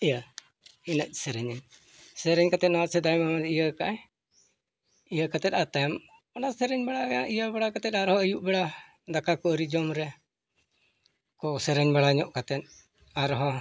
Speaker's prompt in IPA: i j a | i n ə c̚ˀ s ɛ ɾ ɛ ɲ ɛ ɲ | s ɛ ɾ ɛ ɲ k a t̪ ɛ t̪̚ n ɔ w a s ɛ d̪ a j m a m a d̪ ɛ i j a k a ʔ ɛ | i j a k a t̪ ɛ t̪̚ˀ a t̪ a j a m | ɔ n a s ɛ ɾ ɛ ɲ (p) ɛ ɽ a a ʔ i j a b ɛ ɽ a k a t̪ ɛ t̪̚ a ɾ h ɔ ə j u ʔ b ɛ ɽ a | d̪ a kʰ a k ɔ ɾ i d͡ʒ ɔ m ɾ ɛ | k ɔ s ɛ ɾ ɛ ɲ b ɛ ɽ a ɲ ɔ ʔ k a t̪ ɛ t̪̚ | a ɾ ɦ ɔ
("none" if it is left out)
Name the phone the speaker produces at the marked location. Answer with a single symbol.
b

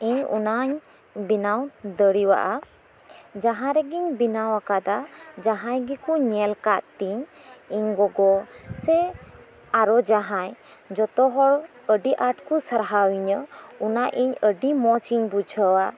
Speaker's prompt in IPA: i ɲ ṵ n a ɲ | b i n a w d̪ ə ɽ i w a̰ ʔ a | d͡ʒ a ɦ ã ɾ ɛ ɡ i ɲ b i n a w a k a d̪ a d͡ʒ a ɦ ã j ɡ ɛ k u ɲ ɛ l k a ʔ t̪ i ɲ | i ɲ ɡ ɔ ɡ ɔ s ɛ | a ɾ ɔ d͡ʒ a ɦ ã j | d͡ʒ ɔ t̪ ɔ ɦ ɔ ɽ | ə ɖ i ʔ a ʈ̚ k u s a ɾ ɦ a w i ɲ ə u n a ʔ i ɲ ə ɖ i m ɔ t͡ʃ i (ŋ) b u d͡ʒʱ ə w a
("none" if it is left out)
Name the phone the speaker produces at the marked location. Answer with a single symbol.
ɲ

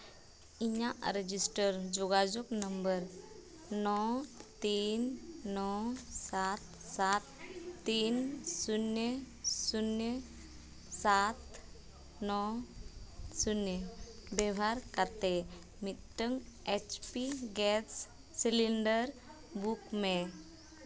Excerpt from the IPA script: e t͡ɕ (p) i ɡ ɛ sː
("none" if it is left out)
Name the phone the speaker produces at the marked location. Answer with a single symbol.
p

